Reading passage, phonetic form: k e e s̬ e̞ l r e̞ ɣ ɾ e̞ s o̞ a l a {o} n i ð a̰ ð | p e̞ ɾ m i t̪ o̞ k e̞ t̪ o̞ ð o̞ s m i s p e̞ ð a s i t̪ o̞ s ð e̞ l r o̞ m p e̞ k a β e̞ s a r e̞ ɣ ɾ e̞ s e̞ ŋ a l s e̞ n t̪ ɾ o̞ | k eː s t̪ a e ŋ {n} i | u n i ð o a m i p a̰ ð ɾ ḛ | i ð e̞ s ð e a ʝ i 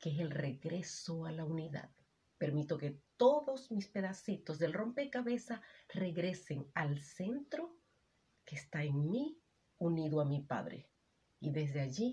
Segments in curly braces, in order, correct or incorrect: incorrect: u, incorrect: m

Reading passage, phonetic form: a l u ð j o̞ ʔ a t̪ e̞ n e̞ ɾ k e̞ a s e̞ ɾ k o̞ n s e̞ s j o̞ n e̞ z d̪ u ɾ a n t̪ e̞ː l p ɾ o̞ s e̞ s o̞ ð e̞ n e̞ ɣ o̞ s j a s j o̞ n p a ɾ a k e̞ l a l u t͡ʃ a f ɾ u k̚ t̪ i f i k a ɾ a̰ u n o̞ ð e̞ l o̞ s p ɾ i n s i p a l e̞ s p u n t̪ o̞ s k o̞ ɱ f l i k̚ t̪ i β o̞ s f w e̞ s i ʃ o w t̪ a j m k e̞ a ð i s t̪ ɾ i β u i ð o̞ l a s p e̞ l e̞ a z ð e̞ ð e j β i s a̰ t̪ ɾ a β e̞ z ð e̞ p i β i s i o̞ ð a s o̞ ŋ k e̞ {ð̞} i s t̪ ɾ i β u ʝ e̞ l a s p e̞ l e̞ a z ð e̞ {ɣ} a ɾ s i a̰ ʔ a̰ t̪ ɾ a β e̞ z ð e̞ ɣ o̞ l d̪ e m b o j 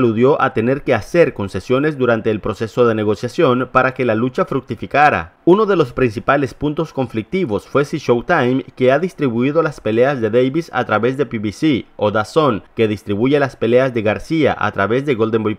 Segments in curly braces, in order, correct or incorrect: correct, correct

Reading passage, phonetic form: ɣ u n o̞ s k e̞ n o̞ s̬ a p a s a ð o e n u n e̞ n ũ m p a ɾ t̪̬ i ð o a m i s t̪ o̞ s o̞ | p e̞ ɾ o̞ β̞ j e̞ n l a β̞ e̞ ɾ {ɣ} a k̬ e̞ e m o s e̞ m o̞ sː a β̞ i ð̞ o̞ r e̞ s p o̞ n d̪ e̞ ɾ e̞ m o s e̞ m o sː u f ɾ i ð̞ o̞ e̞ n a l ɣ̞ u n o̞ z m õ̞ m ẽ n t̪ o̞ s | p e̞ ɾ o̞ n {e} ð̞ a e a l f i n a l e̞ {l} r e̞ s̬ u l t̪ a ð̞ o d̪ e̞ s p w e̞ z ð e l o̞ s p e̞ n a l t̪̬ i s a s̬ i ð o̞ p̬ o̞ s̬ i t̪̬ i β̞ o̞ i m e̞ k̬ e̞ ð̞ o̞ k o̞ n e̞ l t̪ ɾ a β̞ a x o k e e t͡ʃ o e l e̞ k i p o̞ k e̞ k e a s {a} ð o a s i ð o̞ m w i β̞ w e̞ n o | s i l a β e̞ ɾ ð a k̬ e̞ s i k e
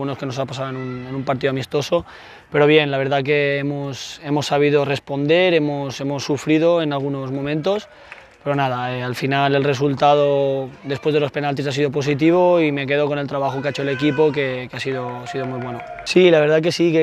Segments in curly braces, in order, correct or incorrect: incorrect: ð, incorrect: a, correct, incorrect: i

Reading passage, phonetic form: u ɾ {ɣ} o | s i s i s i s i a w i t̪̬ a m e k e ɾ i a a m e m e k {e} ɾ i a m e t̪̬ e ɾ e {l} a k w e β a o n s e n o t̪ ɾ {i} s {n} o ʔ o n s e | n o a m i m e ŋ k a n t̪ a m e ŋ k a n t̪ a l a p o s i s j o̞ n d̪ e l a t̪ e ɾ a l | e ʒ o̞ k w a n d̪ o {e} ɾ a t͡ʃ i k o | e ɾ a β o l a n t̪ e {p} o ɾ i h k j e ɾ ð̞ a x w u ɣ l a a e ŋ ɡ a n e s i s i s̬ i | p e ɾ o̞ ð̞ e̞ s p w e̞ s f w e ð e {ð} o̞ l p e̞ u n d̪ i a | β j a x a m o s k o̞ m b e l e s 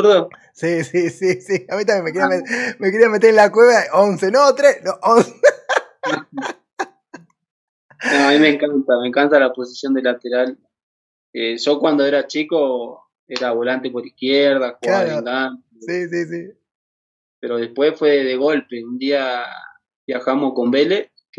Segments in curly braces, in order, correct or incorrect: incorrect: ð, correct, correct, incorrect: e, correct, correct, correct, incorrect: ɣ

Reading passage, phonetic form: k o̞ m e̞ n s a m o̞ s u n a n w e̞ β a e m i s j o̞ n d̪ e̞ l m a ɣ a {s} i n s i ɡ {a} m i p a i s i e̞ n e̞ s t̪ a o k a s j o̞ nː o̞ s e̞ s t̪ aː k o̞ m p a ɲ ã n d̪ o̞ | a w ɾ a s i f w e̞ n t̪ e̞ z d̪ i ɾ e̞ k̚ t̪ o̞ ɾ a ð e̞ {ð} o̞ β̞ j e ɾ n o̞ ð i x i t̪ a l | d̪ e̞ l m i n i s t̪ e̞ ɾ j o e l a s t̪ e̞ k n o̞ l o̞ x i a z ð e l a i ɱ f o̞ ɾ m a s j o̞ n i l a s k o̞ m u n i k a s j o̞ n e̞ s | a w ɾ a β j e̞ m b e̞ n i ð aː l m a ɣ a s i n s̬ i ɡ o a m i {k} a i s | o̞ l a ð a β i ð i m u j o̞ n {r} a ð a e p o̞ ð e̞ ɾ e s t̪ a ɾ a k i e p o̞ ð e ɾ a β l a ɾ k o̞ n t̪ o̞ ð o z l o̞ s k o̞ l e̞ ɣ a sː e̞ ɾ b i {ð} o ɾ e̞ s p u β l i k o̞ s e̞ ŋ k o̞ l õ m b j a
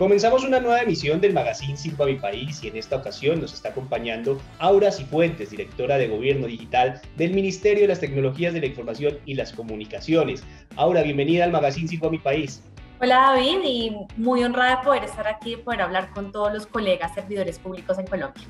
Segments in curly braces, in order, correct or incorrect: correct, correct, incorrect: ɣ, incorrect: p, correct, correct

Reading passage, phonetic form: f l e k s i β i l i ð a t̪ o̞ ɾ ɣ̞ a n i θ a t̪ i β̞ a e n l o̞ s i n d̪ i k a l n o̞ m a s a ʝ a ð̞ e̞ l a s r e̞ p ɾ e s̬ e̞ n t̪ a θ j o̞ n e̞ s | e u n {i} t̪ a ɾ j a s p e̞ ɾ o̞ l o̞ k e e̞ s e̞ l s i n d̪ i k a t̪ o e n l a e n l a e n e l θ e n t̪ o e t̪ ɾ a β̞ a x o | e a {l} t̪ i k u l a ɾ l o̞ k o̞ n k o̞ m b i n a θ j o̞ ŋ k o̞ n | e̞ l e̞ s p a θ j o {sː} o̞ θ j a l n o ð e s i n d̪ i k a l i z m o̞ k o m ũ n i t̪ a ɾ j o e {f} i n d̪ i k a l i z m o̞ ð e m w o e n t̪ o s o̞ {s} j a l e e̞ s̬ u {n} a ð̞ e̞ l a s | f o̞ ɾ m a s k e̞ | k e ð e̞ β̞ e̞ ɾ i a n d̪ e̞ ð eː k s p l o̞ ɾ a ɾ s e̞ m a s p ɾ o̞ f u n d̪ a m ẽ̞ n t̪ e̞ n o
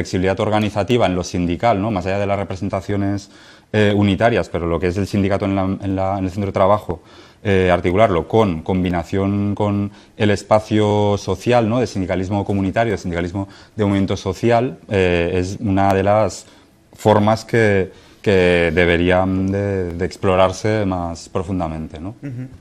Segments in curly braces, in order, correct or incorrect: correct, incorrect: ɾ, incorrect: s, incorrect: s, incorrect: θ, correct

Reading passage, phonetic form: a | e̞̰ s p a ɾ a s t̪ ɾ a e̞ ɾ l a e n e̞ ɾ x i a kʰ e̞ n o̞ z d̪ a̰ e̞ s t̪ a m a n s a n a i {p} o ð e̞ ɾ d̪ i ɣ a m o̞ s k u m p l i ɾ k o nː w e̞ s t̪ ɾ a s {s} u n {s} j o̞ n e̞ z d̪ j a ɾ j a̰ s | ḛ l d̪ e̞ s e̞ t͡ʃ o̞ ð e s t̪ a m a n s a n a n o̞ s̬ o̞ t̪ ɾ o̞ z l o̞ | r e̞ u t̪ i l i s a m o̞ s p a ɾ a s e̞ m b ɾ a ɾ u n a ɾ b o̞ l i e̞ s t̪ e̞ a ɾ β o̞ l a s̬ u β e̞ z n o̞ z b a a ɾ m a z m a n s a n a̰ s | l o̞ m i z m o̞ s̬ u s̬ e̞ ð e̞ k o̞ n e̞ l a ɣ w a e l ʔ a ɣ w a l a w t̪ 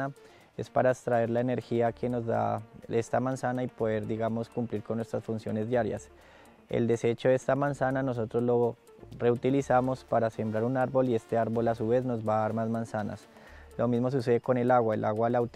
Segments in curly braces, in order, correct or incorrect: correct, incorrect: f, correct

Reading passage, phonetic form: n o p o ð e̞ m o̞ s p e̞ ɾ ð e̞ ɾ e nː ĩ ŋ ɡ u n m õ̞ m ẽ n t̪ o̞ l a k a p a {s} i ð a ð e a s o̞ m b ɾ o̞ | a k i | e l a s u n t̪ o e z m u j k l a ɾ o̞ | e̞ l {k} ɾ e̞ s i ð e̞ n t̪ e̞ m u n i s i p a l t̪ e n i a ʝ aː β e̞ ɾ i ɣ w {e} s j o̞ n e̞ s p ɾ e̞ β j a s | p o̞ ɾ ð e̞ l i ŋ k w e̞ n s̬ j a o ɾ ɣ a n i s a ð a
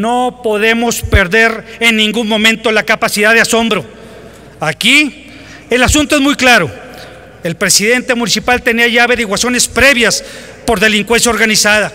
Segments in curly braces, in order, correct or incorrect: correct, incorrect: p, incorrect: a

